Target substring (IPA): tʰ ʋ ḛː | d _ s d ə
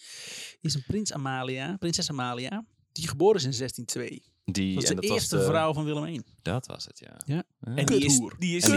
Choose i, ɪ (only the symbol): i